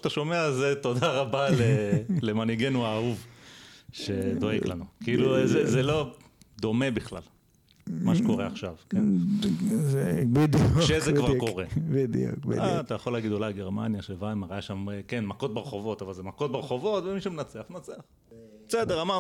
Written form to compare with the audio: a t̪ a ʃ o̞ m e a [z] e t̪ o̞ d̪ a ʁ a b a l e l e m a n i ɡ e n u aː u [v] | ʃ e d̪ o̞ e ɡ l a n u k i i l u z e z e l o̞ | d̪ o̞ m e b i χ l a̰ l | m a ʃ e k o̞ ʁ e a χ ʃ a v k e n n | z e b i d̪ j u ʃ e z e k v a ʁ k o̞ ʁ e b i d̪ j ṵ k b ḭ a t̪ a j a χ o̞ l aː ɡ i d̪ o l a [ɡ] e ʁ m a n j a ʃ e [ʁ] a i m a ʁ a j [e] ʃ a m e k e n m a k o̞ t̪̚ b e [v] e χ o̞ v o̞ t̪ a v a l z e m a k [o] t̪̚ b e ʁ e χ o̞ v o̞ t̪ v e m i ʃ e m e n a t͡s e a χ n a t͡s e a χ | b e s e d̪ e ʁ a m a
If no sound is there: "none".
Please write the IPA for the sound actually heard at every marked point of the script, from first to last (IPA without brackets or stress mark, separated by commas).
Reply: z, v, ɡ, v, a, ʁ, o